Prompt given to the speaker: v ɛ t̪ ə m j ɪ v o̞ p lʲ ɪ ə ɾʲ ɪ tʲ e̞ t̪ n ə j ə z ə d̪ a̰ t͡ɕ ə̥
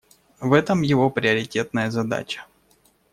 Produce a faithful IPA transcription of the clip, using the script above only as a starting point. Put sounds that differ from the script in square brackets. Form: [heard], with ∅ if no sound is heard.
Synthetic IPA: v ɛ t̪ ə m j ɪ v o̞ p [ɾʲ] ɪ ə ɾʲ ɪ tʲ e̞ t̪ n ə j ə z [ɐ] d̪ a̰ t͡ɕ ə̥